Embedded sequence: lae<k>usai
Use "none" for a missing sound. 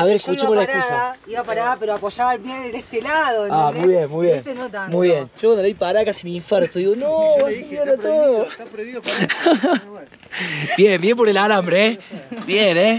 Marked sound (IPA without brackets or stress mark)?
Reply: k